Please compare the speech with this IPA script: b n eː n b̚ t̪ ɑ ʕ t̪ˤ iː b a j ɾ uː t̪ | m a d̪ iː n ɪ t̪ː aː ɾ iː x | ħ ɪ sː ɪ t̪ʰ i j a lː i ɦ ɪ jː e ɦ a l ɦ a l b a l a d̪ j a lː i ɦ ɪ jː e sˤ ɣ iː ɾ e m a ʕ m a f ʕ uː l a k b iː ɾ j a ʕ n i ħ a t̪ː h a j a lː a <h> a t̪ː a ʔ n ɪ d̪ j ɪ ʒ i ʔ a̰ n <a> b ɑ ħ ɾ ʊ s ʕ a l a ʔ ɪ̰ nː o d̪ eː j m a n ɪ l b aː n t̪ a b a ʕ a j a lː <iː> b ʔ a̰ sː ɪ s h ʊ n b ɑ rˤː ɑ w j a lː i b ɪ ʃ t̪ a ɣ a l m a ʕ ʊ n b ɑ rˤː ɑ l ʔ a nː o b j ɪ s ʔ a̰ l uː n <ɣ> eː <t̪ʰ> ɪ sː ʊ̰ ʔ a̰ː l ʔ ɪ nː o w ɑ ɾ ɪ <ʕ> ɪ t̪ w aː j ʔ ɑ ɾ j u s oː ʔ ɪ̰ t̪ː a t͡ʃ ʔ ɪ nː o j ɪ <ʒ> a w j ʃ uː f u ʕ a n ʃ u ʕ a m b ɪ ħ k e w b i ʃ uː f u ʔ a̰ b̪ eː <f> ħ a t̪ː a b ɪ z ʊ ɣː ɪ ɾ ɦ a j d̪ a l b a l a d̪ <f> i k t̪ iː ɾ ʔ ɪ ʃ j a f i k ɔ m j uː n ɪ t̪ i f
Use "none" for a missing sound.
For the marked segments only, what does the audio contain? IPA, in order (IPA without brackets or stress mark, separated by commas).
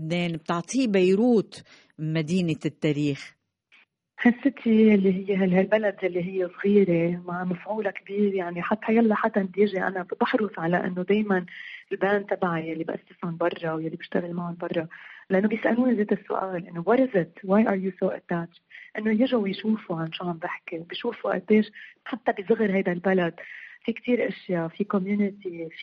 ħ, a, i, z, t̪, z, ʒ, ʃ, f